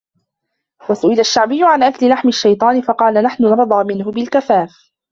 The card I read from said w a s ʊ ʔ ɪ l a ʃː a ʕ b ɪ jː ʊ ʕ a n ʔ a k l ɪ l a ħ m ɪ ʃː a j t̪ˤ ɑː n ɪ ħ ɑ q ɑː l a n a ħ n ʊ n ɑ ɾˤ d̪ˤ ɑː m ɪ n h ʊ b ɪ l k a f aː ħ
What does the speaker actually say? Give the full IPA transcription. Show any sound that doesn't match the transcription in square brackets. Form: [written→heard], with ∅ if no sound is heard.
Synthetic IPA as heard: w a s ʊ ʔ ɪ l a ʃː a ʕ b ɪ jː ʊ ʕ a n ʔ a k l ɪ l a ħ m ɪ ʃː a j t̪ˤ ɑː n ɪ [ħ→f] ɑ q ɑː l a n a ħ n ʊ n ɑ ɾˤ d̪ˤ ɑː m ɪ n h ʊ b ɪ l k a f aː [ħ→f]